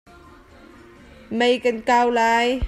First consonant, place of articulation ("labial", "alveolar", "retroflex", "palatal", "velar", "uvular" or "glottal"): labial